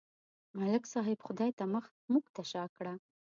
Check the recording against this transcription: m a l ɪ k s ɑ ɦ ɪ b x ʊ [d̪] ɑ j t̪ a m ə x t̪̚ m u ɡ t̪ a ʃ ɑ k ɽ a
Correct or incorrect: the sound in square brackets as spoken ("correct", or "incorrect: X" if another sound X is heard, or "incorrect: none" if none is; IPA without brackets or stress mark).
correct